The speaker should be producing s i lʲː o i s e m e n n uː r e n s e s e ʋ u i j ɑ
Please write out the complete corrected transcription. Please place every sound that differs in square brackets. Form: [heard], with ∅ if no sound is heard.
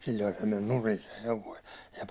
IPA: s i lʲː o i s e m e n n [u] r [i] n s e [h] e ʋ [o] i j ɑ